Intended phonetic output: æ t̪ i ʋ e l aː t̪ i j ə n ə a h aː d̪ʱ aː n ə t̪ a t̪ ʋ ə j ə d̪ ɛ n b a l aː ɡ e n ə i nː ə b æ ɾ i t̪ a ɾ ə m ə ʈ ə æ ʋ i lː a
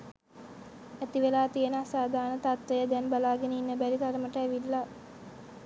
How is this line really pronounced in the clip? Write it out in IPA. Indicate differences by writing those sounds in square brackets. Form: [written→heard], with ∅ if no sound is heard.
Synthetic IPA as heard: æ t̪ i ʋ e l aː t̪ i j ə n ə a [h→s] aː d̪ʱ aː n ə t̪ a t̪ ʋ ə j ə d̪ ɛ n b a l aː ɡ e n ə i nː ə b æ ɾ i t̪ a ɾ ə m ə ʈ ə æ ʋ i lː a